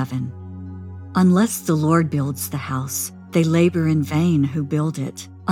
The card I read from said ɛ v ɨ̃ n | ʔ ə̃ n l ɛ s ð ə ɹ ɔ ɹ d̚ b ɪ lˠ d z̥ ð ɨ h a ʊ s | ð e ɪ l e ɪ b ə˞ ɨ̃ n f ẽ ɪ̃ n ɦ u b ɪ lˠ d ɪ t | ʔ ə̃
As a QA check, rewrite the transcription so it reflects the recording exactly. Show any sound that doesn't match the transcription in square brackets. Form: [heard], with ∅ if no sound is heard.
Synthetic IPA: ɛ v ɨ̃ n | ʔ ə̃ n l ɛ s ð ə [l] ɔ ɹ d̚ b ɪ lˠ d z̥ ð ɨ h a ʊ s | ð e ɪ l e ɪ b ə˞ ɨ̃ n [v] ẽ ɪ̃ n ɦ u b ɪ lˠ d ɪ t | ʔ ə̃